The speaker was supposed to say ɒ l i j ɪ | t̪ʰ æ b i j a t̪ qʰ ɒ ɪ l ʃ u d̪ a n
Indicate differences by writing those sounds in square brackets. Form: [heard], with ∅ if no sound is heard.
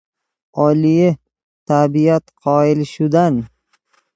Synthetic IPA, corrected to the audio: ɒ l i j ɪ | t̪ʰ [a] b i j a t̪ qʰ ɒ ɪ l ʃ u d̪ a n